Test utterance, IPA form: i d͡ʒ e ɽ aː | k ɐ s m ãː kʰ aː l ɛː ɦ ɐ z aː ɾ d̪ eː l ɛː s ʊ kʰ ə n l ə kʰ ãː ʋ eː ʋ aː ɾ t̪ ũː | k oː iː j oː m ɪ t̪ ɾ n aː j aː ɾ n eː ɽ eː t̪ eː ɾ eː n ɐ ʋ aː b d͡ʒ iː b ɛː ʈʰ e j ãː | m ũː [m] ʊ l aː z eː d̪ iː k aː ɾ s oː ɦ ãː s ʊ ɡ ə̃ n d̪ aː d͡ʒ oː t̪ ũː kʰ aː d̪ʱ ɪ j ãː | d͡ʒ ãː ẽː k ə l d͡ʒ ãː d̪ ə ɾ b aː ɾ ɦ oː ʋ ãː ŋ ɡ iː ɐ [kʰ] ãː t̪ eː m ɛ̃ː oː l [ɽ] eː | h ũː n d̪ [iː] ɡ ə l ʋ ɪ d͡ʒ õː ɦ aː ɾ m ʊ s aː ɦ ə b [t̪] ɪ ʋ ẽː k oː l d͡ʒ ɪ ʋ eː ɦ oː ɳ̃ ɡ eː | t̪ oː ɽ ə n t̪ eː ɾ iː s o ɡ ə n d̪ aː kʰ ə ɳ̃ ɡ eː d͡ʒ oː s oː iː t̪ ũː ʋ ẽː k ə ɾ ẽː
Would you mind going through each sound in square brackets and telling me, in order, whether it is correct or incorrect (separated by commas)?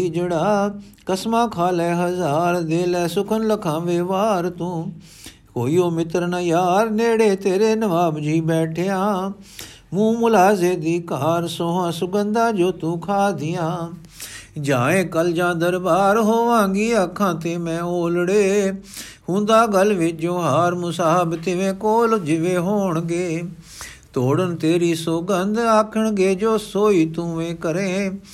correct, correct, correct, incorrect, correct